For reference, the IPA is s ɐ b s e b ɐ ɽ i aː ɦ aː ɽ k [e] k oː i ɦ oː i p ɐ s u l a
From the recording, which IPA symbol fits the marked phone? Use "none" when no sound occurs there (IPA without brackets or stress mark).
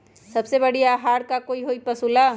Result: a